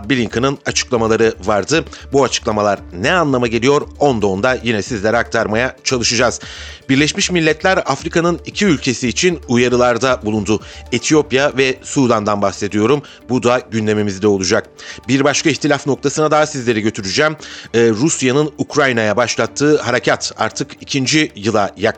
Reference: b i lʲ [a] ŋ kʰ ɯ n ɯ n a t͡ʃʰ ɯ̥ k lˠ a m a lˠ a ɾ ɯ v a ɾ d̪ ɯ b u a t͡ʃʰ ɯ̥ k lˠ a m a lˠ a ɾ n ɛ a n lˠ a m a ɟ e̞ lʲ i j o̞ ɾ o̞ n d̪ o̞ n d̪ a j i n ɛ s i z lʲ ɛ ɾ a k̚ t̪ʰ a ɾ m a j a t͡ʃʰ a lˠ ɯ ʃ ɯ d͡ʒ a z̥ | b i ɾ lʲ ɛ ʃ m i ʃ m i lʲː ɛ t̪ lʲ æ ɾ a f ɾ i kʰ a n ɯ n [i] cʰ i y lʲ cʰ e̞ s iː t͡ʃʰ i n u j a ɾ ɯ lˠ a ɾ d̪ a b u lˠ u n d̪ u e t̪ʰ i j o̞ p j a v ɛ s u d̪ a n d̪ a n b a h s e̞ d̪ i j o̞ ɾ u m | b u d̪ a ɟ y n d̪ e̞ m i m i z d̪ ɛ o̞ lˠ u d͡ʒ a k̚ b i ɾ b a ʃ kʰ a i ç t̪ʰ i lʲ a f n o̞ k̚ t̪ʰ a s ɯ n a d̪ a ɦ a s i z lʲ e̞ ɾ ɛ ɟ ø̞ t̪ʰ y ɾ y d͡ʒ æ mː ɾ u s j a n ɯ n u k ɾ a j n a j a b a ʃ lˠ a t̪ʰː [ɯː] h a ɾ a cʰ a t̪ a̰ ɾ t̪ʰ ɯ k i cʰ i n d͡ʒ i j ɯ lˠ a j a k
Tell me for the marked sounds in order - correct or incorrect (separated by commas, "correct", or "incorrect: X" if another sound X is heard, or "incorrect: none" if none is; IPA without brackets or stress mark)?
incorrect: i, correct, correct